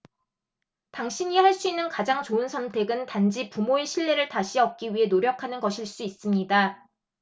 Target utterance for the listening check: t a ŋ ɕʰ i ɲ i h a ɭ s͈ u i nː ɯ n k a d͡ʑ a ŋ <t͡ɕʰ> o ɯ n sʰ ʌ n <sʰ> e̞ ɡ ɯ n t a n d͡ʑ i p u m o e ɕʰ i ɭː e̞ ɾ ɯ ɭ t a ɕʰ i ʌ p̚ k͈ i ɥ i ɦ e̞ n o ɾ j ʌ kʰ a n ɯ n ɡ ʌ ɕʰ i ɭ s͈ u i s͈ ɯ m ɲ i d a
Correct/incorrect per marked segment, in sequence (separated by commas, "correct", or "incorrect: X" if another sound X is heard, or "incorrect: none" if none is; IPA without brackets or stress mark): incorrect: t͡ɕ, incorrect: tʰ